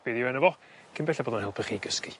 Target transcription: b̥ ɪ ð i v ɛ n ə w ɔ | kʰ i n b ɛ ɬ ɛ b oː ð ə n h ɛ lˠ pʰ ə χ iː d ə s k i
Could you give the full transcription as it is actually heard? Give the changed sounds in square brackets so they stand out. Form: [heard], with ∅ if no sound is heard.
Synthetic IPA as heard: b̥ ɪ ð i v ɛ n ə [v] ɔ | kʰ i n b ɛ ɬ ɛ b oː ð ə n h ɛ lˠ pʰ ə χ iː [ɡ] ə s k i